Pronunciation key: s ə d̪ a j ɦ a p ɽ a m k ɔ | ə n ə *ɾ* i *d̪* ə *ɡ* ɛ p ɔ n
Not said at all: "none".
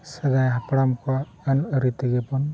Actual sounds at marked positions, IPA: ɾ, t̪, ɡ

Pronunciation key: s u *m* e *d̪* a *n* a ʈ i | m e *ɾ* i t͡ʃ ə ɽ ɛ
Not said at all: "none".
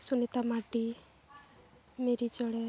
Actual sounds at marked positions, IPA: n, t̪, m, ɾ

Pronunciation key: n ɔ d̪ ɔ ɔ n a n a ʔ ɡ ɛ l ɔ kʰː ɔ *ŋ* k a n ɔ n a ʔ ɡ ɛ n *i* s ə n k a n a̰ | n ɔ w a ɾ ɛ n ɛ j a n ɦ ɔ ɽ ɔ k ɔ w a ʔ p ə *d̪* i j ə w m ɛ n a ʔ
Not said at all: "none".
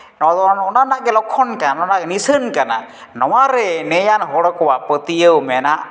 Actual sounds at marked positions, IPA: n, i, t̪

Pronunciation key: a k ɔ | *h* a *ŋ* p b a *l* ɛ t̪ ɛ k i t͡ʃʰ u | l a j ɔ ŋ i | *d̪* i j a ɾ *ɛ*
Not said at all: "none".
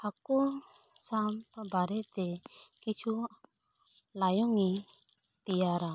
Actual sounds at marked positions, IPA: s, m, ɾ, t̪, a

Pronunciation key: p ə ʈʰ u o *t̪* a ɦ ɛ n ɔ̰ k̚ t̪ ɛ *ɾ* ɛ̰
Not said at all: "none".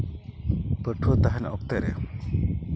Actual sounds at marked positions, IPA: t̪, ɾ

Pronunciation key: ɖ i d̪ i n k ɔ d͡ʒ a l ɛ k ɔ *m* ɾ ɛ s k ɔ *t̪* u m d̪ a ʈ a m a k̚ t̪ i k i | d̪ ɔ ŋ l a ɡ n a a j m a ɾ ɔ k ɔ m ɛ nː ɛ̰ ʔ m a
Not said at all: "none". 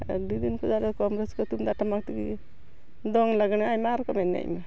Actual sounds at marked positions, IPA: m, t̪

